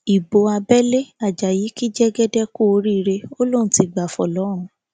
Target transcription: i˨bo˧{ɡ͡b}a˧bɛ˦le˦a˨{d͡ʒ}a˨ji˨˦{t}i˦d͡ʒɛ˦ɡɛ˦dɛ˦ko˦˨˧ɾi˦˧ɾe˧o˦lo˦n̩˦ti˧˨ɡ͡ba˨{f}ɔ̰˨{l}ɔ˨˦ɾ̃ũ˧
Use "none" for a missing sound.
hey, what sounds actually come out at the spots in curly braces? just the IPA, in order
none, d͡ʒ, k, f, l

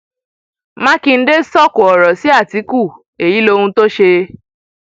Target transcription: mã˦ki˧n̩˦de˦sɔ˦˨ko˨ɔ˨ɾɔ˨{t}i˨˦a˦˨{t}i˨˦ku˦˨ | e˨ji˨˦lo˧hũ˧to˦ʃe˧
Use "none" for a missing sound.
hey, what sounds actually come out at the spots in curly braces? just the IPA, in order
s, t

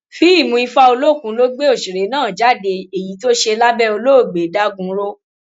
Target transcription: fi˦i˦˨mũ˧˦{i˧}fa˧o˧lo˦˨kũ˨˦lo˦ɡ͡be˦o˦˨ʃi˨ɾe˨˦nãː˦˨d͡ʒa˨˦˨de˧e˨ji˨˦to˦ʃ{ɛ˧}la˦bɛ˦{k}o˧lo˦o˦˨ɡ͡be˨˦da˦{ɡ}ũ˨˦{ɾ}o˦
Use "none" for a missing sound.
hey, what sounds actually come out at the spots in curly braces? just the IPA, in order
i˧, e˧, none, ɡ, ɾ

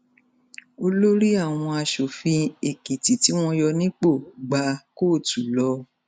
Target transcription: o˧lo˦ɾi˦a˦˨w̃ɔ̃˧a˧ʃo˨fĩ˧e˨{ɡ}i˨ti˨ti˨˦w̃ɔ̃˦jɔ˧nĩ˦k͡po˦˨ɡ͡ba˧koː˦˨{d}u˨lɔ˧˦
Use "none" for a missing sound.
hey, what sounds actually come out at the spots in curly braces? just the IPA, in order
k, t

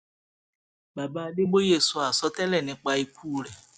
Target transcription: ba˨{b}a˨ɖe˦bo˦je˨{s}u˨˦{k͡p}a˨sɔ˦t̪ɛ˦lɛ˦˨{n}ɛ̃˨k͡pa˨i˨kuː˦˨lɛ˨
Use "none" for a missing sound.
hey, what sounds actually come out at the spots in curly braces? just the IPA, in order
b, s, none, n

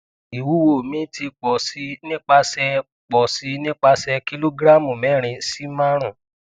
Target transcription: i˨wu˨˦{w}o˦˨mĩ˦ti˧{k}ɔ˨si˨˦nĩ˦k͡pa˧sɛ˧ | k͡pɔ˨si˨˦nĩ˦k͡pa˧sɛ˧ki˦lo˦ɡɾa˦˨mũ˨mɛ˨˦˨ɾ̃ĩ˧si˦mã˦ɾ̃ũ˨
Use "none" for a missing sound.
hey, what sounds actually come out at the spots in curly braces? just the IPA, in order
w, k͡p

